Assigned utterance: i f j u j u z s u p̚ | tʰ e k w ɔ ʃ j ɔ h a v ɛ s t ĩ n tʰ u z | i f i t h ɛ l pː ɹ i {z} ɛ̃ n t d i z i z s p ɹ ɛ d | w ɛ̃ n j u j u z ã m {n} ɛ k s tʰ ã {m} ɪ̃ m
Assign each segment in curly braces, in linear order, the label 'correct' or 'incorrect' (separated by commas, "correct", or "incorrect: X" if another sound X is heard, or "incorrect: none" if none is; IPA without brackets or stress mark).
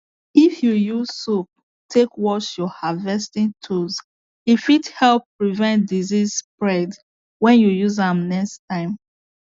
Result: incorrect: v, correct, incorrect: none